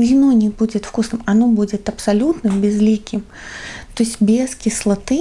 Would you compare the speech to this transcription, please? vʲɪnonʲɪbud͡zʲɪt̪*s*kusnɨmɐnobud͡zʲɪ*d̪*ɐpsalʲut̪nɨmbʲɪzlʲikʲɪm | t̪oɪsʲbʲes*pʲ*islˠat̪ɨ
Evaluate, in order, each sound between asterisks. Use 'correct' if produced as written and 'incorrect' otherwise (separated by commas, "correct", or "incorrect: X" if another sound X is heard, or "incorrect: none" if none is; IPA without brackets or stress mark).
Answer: incorrect: f, incorrect: t̪, incorrect: kʲ